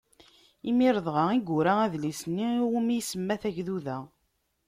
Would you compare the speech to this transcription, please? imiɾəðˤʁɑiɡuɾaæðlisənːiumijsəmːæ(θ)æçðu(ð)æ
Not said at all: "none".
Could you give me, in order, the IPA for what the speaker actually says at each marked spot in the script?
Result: θ, ð

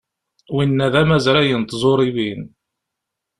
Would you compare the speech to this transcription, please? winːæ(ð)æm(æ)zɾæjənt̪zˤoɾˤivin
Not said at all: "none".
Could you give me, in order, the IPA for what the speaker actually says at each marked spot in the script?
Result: ð, æ

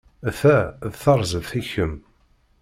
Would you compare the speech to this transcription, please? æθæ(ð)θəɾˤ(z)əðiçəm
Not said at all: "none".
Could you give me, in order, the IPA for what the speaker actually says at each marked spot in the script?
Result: ð, z

